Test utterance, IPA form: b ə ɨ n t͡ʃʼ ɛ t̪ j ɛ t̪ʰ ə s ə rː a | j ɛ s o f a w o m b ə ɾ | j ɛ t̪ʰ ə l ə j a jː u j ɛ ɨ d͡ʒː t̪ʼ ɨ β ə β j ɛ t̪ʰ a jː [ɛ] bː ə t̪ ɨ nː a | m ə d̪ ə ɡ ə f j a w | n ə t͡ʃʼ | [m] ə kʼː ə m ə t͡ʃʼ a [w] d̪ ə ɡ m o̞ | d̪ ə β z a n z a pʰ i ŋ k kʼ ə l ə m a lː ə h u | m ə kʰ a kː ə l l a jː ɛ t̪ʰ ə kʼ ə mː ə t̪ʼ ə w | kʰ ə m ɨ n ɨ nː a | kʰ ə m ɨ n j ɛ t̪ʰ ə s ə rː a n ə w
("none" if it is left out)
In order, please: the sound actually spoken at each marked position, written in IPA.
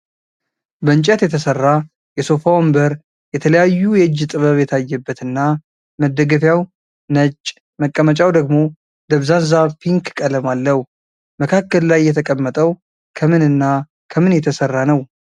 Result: ɛ, m, w

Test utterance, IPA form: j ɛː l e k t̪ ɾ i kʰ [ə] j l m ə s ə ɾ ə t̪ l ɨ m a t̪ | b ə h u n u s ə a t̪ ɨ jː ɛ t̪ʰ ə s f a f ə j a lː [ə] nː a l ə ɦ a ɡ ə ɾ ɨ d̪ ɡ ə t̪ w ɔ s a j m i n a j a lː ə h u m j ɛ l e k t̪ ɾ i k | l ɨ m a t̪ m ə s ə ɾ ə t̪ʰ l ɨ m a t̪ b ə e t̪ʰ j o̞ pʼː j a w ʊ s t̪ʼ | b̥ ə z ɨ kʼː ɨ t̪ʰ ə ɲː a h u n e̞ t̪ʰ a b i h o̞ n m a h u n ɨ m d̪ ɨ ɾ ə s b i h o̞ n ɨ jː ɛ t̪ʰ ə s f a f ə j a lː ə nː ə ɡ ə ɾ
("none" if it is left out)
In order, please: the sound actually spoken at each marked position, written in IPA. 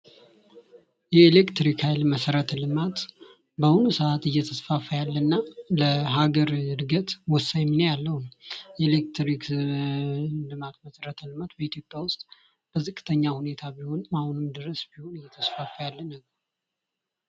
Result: a, ə

